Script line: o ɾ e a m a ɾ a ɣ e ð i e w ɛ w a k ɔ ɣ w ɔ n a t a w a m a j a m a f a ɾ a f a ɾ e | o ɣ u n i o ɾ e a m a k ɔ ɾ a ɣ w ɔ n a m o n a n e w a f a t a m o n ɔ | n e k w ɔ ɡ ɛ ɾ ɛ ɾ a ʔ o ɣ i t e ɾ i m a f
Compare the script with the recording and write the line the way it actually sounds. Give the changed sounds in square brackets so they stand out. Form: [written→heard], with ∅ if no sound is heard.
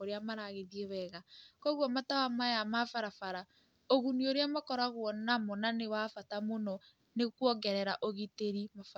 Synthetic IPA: o ɾ e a m a ɾ a ɣ e ð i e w ɛ [w→ɣ] a k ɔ ɣ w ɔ [n→m] a t a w a m a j a m a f a ɾ a f a ɾ [e→a] | o ɣ u n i o ɾ e a m a k ɔ ɾ a ɣ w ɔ n a m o n a n e w a f a t a m o n ɔ | n e k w ɔ ɡ ɛ ɾ ɛ ɾ a ʔ o ɣ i t e ɾ i m a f